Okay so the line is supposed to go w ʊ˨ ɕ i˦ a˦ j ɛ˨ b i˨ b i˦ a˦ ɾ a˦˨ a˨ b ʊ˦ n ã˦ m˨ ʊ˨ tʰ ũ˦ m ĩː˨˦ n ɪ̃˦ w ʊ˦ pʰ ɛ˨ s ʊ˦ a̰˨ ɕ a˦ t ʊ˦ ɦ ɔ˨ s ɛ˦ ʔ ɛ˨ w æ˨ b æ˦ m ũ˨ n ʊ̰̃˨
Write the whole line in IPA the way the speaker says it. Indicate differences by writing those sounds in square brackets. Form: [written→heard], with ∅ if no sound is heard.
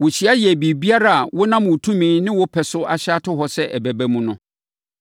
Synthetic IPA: w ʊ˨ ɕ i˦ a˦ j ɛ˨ b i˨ b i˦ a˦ ɾ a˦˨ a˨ [b→w] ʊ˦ n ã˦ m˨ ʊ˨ tʰ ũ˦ m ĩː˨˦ n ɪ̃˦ w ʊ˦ pʰ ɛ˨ s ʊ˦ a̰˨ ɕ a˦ t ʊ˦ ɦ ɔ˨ s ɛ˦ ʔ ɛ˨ [w→b] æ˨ b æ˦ m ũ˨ n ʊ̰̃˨

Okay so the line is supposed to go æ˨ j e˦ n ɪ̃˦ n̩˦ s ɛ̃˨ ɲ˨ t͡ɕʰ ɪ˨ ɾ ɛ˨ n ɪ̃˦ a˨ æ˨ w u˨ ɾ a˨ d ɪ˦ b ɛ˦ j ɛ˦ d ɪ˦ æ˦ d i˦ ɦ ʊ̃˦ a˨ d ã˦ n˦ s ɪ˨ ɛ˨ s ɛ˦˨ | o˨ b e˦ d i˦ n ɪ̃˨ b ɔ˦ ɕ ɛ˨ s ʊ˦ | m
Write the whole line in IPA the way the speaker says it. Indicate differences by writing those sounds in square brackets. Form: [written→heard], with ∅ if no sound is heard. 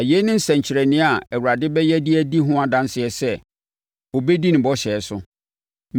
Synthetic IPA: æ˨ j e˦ n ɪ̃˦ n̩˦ s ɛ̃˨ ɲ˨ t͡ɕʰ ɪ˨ ɾ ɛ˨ n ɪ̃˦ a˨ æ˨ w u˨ ɾ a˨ d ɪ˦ b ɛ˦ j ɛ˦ d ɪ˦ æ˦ d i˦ ɦ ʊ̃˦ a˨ d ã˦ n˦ s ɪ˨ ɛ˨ s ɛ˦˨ | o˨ b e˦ d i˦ n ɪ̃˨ b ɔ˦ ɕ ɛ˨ s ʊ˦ | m

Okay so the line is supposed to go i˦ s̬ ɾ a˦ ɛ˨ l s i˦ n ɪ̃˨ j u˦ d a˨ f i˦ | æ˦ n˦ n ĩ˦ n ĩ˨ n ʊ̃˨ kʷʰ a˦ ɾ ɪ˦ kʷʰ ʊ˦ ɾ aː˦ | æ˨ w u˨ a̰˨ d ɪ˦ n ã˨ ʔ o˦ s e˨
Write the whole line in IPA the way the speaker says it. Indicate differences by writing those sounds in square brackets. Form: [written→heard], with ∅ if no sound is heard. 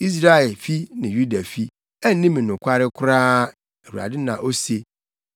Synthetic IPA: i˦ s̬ ɾ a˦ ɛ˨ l [s→f] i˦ n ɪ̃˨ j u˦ d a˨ f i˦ | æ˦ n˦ n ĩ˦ [n→m] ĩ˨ n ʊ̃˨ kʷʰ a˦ ɾ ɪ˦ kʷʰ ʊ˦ ɾ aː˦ | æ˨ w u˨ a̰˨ d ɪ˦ n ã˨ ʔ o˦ s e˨

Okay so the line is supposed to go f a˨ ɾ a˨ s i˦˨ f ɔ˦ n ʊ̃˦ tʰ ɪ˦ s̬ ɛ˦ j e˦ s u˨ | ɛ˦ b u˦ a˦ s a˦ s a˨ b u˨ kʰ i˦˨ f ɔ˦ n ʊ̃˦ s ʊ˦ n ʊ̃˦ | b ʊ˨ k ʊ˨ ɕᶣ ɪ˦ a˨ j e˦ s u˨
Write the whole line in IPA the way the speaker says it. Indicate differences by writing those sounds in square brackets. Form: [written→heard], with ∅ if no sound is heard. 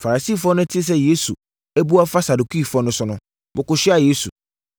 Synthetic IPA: f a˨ ɾ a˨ s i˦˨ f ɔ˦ n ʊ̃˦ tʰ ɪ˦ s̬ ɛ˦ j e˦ s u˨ | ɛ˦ b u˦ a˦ [s→f] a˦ s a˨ [b→d] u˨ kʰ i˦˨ f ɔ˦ n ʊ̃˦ s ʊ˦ n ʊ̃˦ | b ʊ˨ k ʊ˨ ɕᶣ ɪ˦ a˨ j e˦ s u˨

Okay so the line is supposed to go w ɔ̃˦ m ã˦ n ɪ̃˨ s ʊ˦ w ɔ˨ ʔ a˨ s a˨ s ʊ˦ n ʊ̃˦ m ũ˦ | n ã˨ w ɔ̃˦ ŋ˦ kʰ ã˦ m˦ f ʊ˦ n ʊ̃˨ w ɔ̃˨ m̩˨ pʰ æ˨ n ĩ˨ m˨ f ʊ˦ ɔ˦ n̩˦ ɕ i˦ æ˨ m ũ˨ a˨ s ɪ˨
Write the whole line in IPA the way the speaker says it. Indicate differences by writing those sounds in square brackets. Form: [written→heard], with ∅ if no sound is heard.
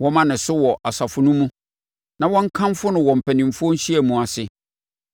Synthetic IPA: w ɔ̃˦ m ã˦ n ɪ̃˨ s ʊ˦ w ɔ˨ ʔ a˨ s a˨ [s→f] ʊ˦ n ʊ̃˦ m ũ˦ | n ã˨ w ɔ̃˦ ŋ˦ kʰ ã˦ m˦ f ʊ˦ n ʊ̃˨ w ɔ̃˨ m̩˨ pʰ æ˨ n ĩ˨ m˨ f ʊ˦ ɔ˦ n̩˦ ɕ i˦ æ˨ m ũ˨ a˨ s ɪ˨

